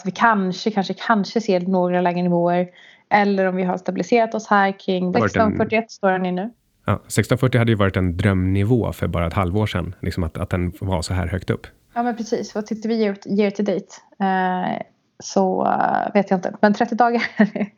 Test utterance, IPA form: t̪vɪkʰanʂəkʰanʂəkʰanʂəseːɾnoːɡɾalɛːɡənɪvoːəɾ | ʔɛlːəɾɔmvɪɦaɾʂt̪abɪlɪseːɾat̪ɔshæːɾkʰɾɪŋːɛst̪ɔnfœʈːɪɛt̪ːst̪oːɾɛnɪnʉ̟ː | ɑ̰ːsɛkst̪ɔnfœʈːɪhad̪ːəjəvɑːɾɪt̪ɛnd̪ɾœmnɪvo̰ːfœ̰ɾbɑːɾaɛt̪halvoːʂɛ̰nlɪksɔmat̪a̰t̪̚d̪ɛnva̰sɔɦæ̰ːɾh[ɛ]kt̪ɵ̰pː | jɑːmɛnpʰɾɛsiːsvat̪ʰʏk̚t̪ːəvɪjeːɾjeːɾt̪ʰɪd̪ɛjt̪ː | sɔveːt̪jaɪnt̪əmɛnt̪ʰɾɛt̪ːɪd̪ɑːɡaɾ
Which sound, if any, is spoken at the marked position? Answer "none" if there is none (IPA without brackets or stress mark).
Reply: œ